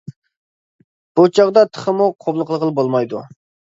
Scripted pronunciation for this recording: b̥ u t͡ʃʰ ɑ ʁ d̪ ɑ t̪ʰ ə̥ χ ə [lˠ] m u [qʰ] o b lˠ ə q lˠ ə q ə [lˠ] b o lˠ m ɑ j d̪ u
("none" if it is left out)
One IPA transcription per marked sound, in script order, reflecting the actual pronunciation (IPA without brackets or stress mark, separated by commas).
none, qʰ, lˠ